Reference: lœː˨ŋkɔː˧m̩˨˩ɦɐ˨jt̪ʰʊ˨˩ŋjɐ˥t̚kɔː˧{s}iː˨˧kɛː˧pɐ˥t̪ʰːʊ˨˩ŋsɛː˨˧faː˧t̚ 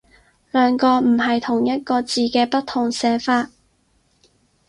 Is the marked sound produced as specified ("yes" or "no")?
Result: no